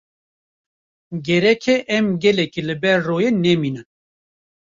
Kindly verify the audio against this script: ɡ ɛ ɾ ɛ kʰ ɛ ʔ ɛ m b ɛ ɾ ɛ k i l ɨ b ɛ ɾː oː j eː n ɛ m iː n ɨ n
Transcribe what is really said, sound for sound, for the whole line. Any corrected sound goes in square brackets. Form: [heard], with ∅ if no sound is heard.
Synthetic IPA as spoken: ɡ ɛ ɾ ɛ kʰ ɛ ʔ ɛ m [ɡ] ɛ [l] ɛ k i l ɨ b ɛ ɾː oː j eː n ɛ m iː n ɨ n